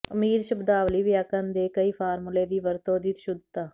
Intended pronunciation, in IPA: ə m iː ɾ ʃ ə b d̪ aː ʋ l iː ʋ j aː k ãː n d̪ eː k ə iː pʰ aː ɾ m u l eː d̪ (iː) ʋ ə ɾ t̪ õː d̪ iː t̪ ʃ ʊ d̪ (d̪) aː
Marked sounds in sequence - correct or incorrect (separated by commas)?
correct, incorrect